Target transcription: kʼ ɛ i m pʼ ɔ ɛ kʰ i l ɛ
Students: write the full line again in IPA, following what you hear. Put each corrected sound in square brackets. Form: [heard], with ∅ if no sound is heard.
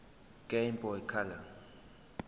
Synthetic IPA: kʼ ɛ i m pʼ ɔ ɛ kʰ [a] l [a]